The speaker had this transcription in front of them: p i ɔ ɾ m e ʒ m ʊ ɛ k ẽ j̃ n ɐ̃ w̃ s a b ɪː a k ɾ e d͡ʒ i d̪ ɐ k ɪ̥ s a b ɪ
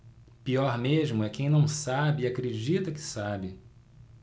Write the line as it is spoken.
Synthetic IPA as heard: p i ɔ ɾ m e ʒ m ʊ ɛ k ẽ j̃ n ɐ̃ w̃ s a b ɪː a k ɾ e d͡ʒ i t̪ ɐ k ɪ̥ s a b ɪ